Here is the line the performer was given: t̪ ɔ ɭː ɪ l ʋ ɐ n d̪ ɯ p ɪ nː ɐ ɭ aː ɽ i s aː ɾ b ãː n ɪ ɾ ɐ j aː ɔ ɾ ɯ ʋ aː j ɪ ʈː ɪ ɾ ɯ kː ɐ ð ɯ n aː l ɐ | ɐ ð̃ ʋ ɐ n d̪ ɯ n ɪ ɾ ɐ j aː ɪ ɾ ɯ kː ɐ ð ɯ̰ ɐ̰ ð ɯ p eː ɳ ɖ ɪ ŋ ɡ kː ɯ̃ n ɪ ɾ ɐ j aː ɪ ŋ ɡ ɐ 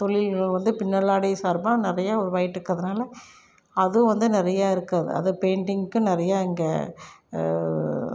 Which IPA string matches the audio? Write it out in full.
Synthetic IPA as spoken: t̪ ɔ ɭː ɪ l ʋ ɐ n d̪ ɯ p ɪ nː ɐ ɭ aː ɽ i s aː ɾ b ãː n ɪ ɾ ɐ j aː ɔ ɾ ɯ ʋ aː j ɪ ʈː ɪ ɾ ɯ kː ɐ ð ɯ n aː l ɐ | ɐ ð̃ ʋ ɐ n d̪ ɯ n ɪ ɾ ɐ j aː ɪ ɾ ɯ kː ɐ ð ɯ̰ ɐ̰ ð ɯ p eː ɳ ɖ ɪ ŋ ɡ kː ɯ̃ n ɪ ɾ ɐ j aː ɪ ŋ ɡ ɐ